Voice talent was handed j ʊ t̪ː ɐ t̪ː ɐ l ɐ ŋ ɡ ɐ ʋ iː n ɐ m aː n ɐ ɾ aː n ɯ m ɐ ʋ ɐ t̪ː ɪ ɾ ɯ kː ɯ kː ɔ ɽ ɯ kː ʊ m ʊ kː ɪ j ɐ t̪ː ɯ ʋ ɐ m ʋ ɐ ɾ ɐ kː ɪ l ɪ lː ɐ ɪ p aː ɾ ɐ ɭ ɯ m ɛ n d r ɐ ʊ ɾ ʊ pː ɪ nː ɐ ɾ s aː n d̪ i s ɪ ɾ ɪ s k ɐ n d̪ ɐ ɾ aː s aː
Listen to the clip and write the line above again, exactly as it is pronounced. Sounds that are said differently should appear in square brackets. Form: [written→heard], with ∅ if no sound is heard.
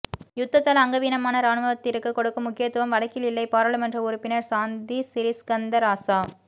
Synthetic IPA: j ʊ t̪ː ɐ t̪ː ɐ l ɐ ŋ ɡ ɐ ʋ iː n ɐ m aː n ɐ ɾ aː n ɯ m ɐ ʋ ɐ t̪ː ɪ ɾ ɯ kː ɯ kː ɔ ɽ ɯ kː [ʊ→ɯ] m ʊ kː ɪ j ɐ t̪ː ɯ ʋ ɐ m ʋ ɐ [ɾ→ɽ] ɐ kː ɪ l ɪ lː ɐ ɪ p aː ɾ ɐ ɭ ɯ m ɛ n d r ɐ ʊ ɾ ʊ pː ɪ [nː→n] ɐ ɾ s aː n d̪ i s ɪ ɾ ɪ s k ɐ n d̪ ɐ ɾ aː s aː